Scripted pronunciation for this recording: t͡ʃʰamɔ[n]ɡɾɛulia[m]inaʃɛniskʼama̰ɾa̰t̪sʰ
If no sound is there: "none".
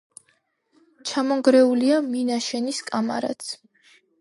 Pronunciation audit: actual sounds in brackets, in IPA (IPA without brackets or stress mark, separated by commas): ŋ, m